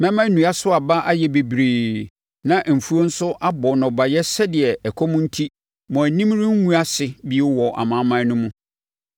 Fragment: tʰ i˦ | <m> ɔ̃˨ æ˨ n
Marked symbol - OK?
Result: yes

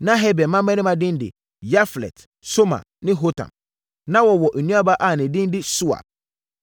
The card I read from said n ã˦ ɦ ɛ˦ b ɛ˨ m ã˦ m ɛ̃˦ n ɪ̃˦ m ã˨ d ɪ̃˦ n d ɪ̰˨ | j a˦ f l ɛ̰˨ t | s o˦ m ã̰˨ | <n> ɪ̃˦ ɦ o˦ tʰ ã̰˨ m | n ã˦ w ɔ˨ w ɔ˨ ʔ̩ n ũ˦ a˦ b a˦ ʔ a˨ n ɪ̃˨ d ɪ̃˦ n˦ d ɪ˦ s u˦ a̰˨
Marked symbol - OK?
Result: yes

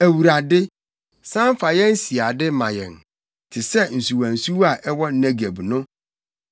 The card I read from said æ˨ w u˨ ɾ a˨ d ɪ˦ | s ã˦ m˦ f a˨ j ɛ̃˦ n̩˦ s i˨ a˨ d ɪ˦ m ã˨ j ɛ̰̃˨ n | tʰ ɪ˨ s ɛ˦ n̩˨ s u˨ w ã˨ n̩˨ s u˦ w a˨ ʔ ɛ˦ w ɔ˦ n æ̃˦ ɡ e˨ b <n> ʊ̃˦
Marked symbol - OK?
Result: yes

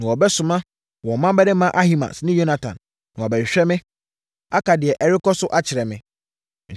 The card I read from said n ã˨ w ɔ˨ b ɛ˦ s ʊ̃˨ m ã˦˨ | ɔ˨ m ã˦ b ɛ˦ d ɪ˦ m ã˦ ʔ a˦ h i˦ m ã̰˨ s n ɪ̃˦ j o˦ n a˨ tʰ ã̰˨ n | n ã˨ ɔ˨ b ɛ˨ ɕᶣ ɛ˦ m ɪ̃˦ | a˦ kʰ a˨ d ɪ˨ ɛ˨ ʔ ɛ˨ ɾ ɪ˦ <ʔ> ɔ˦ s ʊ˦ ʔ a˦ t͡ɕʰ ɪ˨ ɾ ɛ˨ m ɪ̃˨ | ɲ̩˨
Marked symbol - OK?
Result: no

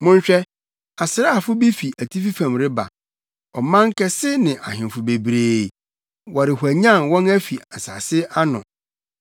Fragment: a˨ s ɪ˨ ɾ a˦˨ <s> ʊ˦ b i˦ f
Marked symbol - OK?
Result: no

